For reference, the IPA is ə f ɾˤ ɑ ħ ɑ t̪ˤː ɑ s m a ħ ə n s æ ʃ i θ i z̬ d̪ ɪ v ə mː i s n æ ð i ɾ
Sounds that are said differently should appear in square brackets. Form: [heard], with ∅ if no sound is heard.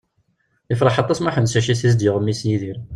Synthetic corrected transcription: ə f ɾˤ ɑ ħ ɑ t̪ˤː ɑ s m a ħ ə n s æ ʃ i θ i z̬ d̪ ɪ [ʁ] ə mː i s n [i] ð i ɾ